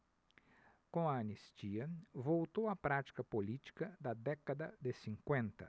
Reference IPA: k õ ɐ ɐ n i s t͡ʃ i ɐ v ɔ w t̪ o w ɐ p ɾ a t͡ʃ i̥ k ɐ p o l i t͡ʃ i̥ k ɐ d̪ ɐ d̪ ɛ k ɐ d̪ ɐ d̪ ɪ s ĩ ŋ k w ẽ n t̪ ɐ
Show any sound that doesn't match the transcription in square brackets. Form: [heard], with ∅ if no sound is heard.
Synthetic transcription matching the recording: k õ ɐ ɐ n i s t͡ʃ i ɐ v [o] w t̪ o w ɐ p ɾ a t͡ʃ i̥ k ɐ p o l i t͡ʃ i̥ k ɐ d̪ ɐ d̪ ɛ k ɐ d̪ ɐ d̪ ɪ s ĩ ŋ k w ẽ n t̪ ɐ